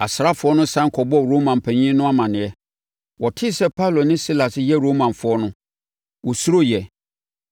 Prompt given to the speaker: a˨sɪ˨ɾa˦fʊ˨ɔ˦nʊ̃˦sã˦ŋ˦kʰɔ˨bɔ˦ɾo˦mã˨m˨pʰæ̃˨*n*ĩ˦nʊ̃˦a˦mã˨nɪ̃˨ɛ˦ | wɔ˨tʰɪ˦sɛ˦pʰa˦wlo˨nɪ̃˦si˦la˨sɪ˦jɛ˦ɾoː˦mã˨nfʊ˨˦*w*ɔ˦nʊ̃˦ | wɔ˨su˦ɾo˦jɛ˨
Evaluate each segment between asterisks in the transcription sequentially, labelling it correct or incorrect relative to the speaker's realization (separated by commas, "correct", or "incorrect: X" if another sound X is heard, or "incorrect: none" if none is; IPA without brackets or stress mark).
incorrect: ɲ, incorrect: none